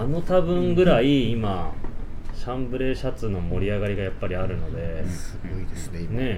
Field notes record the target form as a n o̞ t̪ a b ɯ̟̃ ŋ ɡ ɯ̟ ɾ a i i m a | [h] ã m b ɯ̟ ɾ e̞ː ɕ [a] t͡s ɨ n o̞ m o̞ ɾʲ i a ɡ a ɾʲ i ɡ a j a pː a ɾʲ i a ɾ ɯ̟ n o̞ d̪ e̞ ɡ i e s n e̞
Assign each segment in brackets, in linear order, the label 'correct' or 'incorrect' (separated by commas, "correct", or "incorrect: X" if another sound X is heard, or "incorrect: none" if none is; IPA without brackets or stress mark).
incorrect: ɕ, correct